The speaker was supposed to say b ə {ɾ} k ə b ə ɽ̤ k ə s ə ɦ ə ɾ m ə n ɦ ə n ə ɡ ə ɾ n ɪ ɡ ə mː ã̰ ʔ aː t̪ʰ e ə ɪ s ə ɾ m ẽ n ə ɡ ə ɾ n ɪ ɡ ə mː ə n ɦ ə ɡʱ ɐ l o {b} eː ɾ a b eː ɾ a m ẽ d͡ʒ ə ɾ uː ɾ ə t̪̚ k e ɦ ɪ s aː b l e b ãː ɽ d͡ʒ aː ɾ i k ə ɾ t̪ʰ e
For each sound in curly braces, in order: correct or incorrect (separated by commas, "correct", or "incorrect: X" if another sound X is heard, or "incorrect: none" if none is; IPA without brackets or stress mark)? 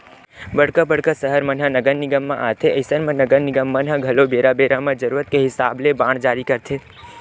incorrect: ɽ, correct